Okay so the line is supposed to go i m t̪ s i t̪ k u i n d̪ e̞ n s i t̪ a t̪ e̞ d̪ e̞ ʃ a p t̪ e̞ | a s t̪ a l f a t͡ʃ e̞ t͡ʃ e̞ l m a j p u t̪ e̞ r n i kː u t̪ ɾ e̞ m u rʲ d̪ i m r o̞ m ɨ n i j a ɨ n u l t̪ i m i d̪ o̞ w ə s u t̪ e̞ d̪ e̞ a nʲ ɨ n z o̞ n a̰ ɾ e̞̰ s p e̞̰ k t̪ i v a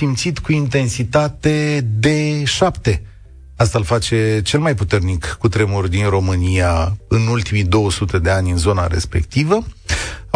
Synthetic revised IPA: i m t̪ s i t̪ k u i n t̪ e̞ n s i t̪ a t̪ e̞ d̪ e̞ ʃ a p t̪ e̞ | a s t̪ a l f a t͡ʃ e̞ t͡ʃ e̞ l m a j p u t̪ e̞ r n i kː u t̪ ɾ e̞ m u rʲ d̪ i n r o̞ m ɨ n i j a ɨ n u l t̪ i m i d̪ o̞ w ə s u t̪ e̞ d̪ e̞ a nʲ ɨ n z o̞ n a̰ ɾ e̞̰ s p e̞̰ k t̪ i v ə